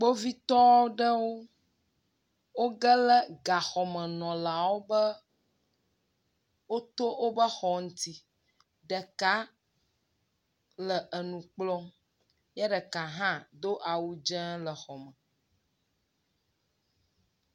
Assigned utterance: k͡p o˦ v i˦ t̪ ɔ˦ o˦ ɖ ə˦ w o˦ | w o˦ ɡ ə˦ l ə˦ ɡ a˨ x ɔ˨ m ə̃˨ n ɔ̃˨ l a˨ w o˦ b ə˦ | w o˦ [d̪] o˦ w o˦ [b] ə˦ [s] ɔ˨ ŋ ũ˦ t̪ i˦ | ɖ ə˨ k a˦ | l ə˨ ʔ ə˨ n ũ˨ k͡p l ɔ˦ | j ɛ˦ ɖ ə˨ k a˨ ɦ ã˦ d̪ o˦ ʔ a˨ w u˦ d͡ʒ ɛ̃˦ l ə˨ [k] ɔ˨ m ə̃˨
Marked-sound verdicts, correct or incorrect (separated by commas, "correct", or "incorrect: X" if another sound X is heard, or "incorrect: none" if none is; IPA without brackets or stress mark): incorrect: t̪, correct, incorrect: x, incorrect: x